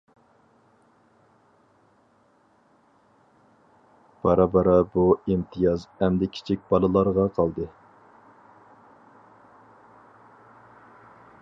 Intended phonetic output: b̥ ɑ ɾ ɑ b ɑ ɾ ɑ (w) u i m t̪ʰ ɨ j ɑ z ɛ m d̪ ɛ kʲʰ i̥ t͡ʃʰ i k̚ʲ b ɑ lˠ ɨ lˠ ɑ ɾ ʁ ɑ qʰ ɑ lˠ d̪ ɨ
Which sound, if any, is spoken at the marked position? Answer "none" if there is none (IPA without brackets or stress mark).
b